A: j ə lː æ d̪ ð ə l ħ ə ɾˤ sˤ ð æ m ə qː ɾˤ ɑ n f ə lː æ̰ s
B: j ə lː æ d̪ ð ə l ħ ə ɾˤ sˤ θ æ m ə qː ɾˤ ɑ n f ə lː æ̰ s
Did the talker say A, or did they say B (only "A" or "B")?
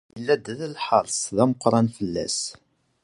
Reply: A